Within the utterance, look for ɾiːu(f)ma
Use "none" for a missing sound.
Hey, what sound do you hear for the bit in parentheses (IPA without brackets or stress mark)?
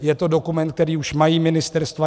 ʃ